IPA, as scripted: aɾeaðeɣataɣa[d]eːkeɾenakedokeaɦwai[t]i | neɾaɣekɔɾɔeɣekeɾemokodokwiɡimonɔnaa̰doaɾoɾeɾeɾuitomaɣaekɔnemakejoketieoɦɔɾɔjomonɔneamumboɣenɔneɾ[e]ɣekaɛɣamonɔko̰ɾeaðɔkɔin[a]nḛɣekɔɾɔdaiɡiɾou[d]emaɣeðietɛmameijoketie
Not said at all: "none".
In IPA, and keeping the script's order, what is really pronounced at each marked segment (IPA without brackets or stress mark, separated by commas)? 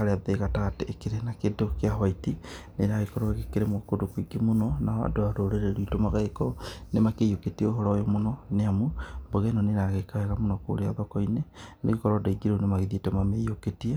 t, t, a, e, n